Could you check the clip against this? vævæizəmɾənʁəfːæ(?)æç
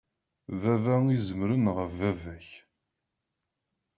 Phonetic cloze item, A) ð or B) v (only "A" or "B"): B